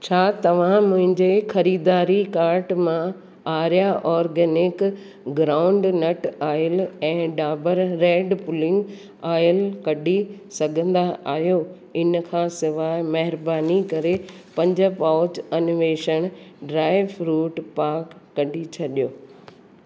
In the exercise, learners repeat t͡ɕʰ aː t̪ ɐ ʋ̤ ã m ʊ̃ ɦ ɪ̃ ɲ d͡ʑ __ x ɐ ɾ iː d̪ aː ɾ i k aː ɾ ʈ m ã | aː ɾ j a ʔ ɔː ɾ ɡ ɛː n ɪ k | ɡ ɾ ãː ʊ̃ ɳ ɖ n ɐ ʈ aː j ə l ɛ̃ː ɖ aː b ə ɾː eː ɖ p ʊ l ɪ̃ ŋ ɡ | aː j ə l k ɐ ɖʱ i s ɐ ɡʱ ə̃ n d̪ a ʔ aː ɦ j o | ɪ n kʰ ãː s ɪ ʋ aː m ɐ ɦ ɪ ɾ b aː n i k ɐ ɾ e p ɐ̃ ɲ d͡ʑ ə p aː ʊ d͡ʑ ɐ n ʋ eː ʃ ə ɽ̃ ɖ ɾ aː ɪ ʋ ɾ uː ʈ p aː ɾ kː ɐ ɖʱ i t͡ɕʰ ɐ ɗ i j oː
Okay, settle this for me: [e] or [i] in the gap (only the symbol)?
e